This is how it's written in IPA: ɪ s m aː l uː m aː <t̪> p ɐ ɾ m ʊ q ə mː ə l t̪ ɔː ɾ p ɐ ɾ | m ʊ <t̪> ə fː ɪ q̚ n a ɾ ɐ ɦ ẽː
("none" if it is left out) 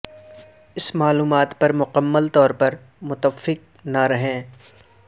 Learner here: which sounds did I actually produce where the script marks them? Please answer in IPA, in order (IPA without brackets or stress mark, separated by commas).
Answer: t̪, t̪